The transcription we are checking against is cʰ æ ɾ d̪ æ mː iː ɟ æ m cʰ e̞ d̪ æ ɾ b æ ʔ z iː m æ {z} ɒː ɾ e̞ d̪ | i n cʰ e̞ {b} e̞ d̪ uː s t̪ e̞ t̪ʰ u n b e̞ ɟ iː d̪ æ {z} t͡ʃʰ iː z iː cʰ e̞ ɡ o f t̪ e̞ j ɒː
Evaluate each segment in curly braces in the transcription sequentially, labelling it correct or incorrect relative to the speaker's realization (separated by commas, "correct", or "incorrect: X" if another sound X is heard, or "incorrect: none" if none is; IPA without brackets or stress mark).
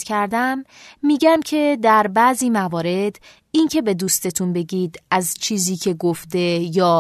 incorrect: v, correct, correct